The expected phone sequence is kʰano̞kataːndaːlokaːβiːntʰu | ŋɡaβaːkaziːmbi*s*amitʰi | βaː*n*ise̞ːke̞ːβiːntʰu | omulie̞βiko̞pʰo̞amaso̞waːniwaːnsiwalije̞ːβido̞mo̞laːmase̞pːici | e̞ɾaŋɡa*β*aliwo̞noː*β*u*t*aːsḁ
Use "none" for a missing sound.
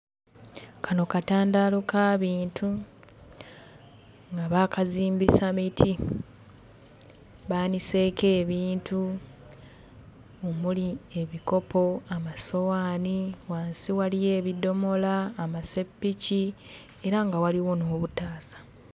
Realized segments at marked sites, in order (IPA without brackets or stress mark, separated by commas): s, n, w, β, t